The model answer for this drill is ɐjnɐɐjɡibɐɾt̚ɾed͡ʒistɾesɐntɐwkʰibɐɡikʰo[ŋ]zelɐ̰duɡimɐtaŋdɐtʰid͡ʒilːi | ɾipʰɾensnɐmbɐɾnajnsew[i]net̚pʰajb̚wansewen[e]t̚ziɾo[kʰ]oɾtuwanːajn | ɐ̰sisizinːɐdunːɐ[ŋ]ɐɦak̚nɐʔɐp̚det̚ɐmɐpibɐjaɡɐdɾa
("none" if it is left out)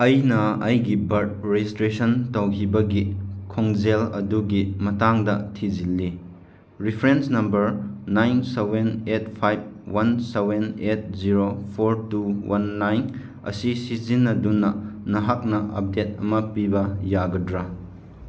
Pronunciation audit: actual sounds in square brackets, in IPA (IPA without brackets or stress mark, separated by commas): ŋ, e, e, pʰ, n